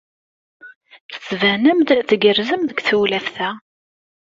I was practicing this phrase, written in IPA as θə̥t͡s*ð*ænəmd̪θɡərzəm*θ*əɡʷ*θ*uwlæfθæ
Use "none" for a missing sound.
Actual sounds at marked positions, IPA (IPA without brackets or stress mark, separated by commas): v, ð, θ